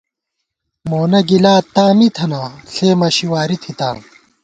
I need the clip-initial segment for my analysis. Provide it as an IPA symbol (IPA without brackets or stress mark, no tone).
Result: m